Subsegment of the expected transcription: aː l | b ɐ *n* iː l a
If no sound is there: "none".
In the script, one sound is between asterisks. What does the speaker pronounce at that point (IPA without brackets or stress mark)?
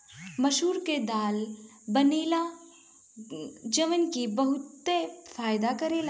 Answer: n